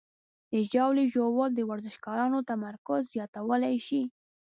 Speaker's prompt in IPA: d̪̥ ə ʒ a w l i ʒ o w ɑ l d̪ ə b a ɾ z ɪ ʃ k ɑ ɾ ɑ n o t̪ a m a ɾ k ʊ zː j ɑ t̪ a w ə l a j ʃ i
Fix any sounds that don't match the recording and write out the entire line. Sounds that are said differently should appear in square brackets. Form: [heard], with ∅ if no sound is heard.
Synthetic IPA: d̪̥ ə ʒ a w l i ʒ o w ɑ l d̪ ə [w] a ɾ z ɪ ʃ k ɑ ɾ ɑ n o t̪ a m a ɾ k ʊ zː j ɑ t̪ a w ə l a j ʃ i